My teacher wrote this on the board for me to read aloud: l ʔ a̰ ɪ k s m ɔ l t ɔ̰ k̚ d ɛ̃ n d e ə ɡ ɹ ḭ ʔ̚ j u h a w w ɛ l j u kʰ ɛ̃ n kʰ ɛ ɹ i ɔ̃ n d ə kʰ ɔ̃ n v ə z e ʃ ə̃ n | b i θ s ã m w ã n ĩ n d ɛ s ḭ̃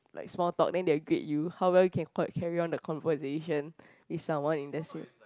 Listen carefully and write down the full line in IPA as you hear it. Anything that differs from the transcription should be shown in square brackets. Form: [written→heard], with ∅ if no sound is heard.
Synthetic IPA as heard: l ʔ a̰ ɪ k s m ɔ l t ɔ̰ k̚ d ɛ̃ n d e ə ɡ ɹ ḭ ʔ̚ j u h a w w ɛ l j u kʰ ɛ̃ n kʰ ɛ ɹ i ɔ̃ n d ə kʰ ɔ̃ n v ə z e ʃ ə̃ n | [b→w] i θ s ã m w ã n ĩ n d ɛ s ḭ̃